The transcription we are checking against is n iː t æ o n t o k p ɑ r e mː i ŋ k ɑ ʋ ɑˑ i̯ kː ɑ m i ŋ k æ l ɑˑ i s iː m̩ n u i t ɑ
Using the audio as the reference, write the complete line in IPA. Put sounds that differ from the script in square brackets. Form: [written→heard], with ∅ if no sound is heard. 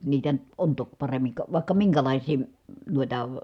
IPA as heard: n iː t æ o n t o k p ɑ r e mː i ŋ k ɑ ʋ ɑˑ i̯ kː ɑ m i ŋ k æ l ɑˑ i s iː m̩ n u i t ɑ